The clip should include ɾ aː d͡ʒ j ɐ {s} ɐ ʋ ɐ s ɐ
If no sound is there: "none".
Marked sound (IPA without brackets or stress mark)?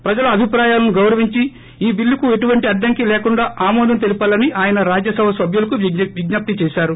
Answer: s